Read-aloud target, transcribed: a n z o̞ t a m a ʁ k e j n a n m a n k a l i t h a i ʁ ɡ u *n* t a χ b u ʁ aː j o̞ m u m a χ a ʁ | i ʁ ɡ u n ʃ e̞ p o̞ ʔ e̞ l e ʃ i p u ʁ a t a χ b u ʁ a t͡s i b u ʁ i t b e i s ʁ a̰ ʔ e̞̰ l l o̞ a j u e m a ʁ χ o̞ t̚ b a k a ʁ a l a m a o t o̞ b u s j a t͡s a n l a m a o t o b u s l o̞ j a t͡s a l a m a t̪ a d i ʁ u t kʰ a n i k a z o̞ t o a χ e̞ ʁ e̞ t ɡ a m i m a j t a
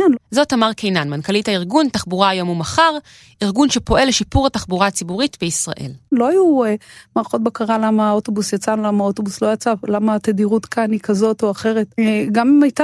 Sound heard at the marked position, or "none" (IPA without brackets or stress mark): n